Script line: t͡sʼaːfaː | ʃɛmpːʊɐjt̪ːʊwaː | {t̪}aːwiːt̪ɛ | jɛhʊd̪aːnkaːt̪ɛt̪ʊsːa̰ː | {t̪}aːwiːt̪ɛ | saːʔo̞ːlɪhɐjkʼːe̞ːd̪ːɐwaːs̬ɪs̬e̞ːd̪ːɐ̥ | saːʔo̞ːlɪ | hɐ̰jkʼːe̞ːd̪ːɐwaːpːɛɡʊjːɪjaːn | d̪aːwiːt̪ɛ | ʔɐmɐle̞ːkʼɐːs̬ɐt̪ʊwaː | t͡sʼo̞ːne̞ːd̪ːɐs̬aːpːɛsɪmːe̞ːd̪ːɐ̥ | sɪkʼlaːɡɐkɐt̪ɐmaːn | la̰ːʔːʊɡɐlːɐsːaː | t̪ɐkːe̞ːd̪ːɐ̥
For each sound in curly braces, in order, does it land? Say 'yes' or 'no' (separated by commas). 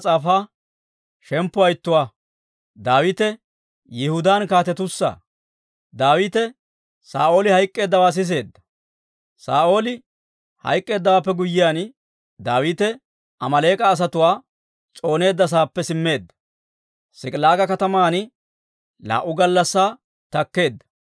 no, no